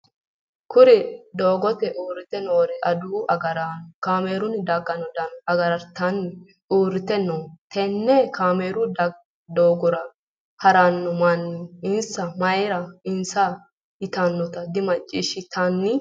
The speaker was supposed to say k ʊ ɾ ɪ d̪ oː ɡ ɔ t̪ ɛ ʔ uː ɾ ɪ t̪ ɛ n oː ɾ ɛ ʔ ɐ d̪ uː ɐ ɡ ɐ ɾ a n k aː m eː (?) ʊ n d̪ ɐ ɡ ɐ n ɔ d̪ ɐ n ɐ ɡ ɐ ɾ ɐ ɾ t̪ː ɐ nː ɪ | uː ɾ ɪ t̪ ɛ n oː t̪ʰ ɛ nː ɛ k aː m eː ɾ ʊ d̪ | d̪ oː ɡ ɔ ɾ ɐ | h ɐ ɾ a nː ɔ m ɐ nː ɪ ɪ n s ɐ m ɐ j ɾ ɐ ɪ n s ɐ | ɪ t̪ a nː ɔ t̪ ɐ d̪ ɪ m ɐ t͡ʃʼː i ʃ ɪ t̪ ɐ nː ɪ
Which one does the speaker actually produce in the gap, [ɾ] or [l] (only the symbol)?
ɾ